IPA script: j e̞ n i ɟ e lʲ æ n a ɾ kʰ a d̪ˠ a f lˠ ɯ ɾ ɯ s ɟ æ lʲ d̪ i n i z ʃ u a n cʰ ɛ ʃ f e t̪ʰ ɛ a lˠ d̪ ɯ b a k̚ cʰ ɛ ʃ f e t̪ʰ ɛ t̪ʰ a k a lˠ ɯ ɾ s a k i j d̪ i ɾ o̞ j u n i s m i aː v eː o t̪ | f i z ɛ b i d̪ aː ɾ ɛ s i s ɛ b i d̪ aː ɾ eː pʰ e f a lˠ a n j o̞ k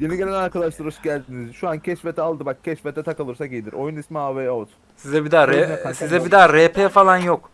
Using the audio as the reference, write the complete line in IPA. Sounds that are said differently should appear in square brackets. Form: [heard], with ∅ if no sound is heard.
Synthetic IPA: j e̞ n i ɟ e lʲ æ n a ɾ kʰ a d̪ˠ a [ʃ] lˠ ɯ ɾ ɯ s ɟ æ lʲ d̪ i n i z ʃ u a n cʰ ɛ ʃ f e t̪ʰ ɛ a lˠ d̪ ɯ b a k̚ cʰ ɛ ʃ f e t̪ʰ ɛ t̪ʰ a k a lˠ ɯ ɾ s a k i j d̪ i ɾ o̞ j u n i s m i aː v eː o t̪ | [s] i z ɛ b i d̪ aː ɾ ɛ s i [z] ɛ b i d̪ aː ɾ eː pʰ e f a lˠ a n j o̞ k